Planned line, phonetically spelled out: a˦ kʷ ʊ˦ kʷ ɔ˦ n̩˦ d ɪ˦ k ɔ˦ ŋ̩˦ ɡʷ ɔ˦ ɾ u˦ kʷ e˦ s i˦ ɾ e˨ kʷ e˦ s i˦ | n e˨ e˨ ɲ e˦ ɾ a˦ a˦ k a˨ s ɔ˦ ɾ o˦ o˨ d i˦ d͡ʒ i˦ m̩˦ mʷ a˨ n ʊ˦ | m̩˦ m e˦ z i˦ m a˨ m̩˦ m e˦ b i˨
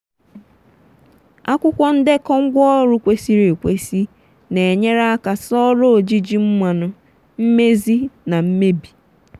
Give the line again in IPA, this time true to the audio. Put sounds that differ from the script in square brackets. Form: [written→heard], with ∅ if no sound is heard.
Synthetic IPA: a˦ kʷ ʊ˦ kʷ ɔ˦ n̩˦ d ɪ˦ k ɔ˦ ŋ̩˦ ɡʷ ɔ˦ ɾ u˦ kʷ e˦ s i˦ ɾ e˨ kʷ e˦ s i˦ | n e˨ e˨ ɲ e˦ ɾ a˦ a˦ k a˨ s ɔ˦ ɾ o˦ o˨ [d→d͡ʒ] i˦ d͡ʒ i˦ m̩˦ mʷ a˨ n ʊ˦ | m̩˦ m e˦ z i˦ [m→n] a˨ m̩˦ m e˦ b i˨